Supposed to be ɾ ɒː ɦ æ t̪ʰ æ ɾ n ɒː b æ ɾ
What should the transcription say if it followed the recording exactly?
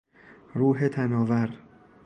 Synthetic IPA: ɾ uː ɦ e t̪ʰ æ n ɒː v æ ɾ